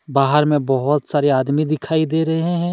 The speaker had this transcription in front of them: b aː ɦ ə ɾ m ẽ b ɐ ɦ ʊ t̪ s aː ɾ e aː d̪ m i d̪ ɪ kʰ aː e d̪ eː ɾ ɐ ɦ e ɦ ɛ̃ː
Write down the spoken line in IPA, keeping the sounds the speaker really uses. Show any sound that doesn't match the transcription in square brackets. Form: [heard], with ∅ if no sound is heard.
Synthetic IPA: b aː ɦ ə ɾ m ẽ b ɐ ɦ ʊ t̪ s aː ɾ e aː d̪ m i d̪ ɪ kʰ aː [i] d̪ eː ɾ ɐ ɦ e ɦ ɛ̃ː